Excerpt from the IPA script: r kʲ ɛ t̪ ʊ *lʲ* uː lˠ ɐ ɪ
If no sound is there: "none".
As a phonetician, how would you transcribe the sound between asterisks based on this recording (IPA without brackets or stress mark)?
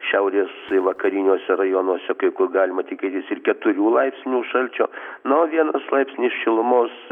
ɾʲ